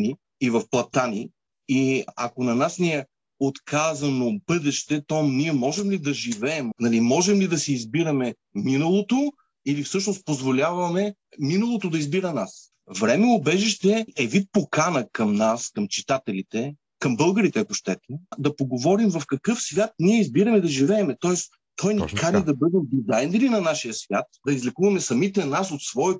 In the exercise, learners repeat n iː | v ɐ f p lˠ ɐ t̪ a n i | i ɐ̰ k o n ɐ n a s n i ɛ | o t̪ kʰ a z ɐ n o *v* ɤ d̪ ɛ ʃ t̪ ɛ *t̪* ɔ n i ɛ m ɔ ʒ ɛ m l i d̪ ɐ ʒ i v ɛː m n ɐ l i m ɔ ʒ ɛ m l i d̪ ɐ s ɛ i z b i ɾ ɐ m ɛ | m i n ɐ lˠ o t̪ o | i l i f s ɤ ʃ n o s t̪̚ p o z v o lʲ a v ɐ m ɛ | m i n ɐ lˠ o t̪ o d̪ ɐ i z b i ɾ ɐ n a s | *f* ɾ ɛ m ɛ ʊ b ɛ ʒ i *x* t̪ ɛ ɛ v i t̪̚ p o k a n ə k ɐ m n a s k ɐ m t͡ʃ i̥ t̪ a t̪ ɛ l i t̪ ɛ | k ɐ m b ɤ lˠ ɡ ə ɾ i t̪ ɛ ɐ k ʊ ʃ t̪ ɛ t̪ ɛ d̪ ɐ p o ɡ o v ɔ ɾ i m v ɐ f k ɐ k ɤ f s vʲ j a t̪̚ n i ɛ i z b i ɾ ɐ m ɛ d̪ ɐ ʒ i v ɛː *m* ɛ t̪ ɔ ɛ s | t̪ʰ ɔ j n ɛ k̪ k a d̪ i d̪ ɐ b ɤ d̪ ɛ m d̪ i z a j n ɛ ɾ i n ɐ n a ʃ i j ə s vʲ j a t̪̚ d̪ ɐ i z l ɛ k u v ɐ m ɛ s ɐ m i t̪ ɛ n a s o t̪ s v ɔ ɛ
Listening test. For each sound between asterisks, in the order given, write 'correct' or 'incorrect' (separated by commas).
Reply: incorrect, correct, incorrect, incorrect, correct